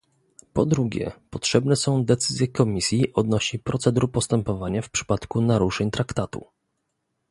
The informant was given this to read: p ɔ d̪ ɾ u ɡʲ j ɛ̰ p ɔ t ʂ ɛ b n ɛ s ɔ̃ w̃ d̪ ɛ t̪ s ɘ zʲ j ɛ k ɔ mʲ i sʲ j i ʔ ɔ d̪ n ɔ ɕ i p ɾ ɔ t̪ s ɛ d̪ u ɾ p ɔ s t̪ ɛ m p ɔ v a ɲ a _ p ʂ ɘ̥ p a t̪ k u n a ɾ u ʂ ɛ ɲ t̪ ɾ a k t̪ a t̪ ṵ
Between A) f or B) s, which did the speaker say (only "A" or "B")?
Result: A